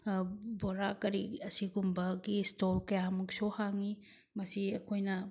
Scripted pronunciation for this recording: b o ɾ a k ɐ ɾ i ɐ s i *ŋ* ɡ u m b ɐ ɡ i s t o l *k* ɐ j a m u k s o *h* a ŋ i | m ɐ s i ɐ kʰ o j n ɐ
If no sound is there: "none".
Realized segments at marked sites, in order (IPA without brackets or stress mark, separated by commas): none, k, h